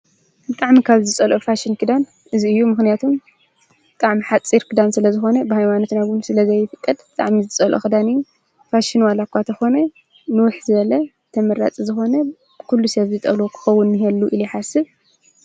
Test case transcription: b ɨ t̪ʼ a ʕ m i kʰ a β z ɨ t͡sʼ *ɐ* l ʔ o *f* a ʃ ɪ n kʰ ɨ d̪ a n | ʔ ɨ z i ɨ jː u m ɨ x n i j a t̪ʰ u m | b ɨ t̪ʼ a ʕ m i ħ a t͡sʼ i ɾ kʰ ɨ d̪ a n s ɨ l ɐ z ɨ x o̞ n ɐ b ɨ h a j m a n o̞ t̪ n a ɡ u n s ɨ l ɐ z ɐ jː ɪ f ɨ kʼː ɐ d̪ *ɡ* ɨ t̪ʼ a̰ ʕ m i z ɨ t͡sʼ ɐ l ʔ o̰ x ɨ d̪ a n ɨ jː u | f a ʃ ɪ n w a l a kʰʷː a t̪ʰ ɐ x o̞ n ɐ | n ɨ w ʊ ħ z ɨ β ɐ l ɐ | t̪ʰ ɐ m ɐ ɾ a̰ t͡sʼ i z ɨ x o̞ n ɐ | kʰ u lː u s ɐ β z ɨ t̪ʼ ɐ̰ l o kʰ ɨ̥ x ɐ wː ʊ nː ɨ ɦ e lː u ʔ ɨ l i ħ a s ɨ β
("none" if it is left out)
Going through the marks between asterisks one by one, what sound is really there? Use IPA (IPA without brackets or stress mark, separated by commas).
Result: ɐ, f, b